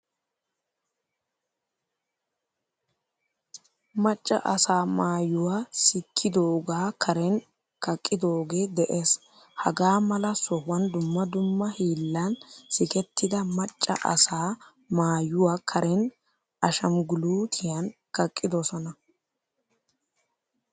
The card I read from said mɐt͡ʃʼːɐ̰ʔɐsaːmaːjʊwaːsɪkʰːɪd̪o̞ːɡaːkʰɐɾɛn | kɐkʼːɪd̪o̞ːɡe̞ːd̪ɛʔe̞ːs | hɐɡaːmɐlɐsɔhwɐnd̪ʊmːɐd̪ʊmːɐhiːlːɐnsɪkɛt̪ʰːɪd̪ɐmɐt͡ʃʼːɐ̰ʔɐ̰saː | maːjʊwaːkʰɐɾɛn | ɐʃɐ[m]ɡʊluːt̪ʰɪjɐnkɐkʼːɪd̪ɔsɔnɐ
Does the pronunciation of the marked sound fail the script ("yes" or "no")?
no